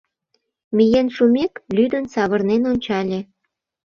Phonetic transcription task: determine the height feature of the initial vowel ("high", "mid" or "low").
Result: high